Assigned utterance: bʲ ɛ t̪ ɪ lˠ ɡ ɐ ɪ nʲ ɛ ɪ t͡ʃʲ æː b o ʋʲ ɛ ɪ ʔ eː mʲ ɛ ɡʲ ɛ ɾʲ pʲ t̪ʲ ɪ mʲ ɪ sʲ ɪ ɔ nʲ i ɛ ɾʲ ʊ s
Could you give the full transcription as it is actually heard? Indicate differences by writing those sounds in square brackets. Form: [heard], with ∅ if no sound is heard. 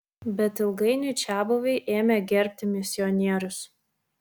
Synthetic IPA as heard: bʲ ɛ t̪ ɪ lˠ ɡ ɐ ɪ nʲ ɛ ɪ t͡ʃʲ æː b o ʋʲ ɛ ɪ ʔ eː mʲ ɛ ɡʲ ɛ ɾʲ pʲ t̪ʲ ɪ mʲ ɪ sʲ ɪ ɔ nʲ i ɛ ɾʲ ʊ s